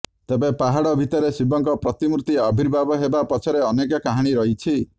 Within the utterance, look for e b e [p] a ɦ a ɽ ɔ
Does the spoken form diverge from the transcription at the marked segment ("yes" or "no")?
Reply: no